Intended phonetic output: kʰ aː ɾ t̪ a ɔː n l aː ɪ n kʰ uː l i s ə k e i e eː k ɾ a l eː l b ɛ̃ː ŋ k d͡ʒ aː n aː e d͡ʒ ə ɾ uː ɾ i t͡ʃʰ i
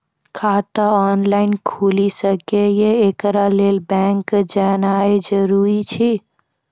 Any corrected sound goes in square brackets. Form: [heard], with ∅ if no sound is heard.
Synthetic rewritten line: kʰ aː [∅] t̪ a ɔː n l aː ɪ n kʰ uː l i s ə k e [j] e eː k ɾ a l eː l b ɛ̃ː ŋ k d͡ʒ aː n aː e d͡ʒ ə ɾ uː ɾ i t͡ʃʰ i